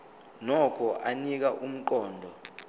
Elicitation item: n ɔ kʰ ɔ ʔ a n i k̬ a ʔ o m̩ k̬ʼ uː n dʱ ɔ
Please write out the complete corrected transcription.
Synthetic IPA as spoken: n ɔ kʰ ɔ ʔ a n i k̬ a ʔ u m̩ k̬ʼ ɔː n dʱ ɔ